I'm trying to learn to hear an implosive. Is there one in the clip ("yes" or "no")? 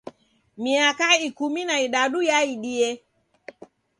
yes